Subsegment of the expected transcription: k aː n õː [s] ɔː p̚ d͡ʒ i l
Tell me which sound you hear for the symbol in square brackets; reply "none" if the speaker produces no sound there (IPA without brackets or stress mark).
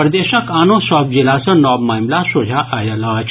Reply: s